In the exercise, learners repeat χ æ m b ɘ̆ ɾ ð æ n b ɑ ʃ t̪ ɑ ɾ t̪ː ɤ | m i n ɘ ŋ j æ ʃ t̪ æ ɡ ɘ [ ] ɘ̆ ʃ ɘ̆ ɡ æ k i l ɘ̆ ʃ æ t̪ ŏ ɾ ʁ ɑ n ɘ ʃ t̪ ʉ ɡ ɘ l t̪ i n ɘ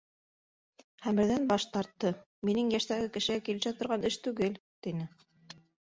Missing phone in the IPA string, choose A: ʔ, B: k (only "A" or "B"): B